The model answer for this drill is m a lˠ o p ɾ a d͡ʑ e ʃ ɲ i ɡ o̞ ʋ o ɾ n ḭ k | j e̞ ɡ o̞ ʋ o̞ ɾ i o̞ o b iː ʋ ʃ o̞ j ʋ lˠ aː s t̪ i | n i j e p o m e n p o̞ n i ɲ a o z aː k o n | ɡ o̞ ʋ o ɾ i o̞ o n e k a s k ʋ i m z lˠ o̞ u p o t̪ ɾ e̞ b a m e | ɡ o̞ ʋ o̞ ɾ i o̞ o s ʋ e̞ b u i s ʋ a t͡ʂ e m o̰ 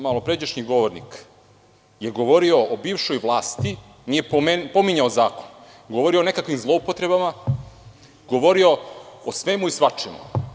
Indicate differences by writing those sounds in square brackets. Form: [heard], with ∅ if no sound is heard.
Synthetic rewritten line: m a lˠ o p ɾ [e] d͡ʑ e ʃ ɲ i ɡ o̞ ʋ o ɾ n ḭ k | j e̞ ɡ o̞ ʋ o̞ ɾ i o̞ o b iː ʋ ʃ o̞ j ʋ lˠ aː s t̪ i | n i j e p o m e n p o̞ [m] i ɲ a o z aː k o n | ɡ o̞ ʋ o ɾ i o̞ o n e k a [∅] k ʋ i m z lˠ o̞ u p o t̪ ɾ e̞ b a m [a] | ɡ o̞ ʋ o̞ ɾ i o̞ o s ʋ e̞ [m] u i s ʋ a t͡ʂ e m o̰